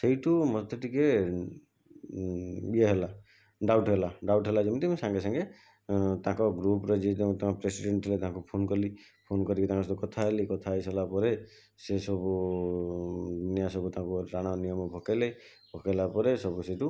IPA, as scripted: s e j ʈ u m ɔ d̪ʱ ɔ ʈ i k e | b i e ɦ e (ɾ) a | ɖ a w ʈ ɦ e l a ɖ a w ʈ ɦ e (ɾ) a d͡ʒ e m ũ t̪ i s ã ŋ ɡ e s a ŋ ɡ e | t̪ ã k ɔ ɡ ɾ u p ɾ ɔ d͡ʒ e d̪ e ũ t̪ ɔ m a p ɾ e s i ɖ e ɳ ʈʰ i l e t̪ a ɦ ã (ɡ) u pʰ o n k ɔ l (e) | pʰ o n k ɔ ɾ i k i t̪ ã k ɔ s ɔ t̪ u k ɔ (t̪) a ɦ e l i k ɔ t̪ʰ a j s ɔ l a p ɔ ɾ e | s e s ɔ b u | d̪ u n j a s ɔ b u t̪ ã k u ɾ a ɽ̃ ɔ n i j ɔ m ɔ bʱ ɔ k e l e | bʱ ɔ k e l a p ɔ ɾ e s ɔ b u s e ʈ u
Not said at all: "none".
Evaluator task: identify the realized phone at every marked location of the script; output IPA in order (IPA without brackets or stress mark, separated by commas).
l, l, k, i, t̪ʰ